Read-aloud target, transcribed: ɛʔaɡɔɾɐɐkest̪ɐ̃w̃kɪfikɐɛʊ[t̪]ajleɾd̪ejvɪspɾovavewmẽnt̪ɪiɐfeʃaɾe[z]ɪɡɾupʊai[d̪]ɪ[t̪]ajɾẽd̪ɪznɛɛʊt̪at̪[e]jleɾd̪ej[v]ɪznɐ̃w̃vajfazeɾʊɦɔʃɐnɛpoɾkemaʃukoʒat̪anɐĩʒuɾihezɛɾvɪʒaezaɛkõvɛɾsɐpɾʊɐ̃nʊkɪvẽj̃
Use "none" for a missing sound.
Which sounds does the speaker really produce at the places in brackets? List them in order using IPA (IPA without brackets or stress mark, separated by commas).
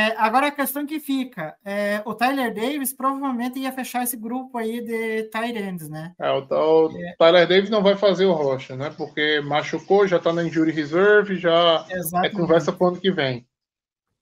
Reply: t̪, s, d̪, t̪, a, v